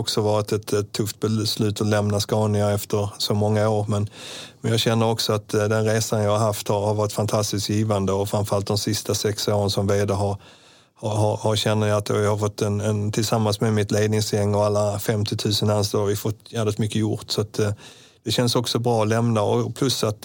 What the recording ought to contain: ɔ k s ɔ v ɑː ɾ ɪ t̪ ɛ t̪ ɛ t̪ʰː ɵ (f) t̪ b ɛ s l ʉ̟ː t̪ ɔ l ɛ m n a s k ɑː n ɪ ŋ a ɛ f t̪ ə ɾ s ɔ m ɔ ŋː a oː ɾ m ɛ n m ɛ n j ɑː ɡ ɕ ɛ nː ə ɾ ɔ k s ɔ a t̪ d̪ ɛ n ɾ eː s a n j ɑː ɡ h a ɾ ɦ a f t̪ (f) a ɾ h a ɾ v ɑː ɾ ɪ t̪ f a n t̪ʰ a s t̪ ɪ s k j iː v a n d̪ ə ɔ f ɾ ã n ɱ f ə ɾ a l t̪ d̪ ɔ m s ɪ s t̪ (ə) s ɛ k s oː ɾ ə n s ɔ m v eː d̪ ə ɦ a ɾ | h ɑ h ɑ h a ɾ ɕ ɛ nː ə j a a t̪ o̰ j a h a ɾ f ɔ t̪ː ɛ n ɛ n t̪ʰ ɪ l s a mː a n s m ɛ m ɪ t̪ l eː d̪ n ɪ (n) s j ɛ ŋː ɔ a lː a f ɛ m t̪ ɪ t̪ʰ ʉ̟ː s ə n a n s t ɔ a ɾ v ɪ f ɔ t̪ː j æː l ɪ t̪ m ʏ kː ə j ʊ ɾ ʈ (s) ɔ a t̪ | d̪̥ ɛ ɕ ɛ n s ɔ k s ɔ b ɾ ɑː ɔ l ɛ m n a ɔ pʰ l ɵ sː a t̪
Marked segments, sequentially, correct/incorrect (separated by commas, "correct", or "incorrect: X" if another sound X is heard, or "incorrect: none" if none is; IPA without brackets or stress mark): correct, incorrect: h, incorrect: a, incorrect: ŋ, correct